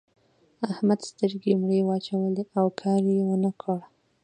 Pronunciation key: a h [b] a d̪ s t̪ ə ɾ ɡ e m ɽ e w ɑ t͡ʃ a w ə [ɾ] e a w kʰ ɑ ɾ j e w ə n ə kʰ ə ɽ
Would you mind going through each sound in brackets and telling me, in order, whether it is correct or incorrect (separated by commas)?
incorrect, incorrect